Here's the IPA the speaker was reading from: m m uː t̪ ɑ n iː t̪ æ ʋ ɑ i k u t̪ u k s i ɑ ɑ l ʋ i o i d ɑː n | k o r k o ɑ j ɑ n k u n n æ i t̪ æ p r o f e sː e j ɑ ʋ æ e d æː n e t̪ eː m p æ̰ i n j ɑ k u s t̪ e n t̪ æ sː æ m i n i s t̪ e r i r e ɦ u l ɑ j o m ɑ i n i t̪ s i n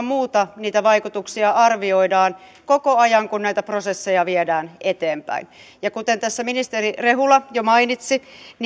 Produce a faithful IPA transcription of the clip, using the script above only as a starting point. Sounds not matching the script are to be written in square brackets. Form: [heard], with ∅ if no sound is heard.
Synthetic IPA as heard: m m uː t̪ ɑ n iː t̪ æ ʋ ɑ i k u t̪ u k s i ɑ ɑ [r] ʋ i o i d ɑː n | k o [∅] k o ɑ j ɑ [ŋ] k u n n æ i t̪ æ p r o [s] e sː e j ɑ ʋ [i] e d æː n e t̪ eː m p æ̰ i n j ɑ k u [∅] t̪ e n t̪ æ sː æ m i n i s t̪ e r i r e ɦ u l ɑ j o m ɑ i n i t̪ s i n